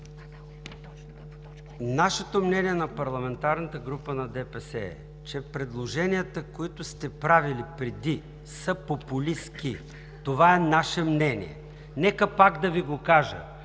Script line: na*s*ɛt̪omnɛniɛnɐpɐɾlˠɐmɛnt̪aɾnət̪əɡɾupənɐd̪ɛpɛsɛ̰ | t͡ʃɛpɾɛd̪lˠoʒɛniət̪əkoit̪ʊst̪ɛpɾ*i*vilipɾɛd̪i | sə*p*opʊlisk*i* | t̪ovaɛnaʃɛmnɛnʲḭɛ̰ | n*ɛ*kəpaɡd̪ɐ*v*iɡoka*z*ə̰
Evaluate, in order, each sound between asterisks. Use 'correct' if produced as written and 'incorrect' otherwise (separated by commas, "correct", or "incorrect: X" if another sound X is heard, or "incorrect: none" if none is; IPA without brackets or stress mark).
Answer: incorrect: ʃ, incorrect: a, correct, correct, correct, correct, incorrect: ʒ